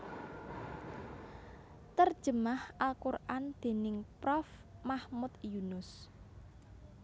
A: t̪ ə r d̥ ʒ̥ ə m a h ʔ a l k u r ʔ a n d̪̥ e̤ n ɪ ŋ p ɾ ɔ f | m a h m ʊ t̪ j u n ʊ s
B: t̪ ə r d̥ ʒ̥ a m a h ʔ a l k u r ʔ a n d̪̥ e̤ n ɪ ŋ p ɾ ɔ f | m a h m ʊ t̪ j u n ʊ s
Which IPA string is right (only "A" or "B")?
A